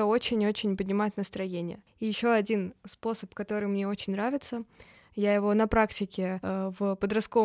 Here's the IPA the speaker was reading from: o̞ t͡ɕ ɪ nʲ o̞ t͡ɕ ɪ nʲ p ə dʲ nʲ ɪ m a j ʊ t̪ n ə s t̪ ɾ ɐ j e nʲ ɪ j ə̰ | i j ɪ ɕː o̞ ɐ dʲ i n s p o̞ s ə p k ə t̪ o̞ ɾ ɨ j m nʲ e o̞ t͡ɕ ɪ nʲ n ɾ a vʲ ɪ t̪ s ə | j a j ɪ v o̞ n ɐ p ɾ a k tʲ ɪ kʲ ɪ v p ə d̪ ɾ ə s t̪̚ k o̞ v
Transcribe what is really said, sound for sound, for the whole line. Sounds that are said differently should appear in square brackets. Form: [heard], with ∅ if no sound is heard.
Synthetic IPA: o̞ t͡ɕ ɪ nʲ o̞ t͡ɕ ɪ nʲ p ə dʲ nʲ ɪ m a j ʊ t̪ n ə s t̪ ɾ ɐ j e nʲ ɪ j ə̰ | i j ɪ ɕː o̞ ɐ dʲ i n s p o̞ s ə p k [ɐ] t̪ o̞ ɾ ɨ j m nʲ e o̞ t͡ɕ ɪ nʲ n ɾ a vʲ ɪ t̪ s ə | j a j ɪ v o̞ n ɐ p ɾ a k tʲ ɪ kʲ ɪ v p ə d̪ ɾ [ɐ] s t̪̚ k o̞ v